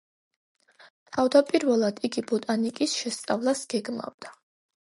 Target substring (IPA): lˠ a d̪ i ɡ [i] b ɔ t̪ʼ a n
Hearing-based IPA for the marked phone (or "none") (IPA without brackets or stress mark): i